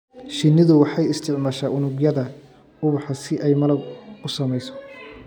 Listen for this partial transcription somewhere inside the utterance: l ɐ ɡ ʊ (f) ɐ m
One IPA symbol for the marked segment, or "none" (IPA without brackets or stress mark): s